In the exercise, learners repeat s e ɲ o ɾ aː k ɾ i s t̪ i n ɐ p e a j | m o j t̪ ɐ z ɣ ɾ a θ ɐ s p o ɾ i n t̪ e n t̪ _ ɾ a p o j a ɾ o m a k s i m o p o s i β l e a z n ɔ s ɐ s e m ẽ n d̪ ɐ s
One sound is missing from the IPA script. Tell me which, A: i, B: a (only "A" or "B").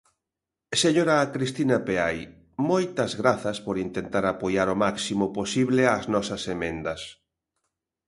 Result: B